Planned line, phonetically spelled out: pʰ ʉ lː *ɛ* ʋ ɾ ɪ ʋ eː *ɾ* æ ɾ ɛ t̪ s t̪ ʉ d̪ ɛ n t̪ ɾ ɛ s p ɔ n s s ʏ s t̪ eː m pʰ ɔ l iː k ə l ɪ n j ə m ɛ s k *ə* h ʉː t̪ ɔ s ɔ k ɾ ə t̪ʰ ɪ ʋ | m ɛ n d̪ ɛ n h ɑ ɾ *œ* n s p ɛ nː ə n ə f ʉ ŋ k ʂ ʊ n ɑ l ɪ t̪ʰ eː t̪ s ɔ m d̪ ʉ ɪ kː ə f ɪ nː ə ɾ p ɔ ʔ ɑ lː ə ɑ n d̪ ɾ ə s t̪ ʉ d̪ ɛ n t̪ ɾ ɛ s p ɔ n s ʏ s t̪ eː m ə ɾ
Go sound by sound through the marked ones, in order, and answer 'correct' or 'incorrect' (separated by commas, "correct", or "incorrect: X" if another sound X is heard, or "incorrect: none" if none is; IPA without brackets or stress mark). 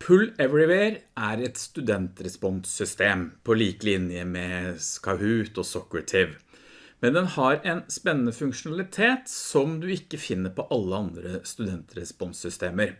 correct, correct, incorrect: ɑ, incorrect: ɛ